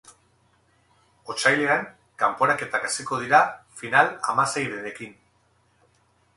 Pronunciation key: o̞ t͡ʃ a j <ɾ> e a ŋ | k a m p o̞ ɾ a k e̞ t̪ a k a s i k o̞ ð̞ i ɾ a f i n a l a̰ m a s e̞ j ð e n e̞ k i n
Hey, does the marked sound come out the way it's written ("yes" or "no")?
no